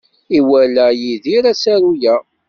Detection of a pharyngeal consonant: absent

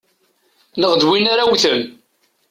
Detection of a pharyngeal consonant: absent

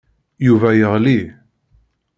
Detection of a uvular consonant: present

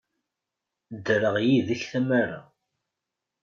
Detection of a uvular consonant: present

